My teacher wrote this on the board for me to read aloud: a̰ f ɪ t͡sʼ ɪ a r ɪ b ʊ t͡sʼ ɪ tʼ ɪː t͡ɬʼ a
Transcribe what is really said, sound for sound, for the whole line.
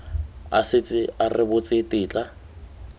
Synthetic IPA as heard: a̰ s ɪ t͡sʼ ɪ a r ɪ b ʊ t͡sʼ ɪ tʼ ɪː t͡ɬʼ a